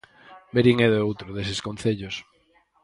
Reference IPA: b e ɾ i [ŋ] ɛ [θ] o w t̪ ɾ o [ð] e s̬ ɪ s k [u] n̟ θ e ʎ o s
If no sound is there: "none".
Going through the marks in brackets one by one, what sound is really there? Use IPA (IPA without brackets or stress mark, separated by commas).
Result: ŋ, ð, ð, o